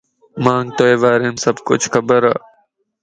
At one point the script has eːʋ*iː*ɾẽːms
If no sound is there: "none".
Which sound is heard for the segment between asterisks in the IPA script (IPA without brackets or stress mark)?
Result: aː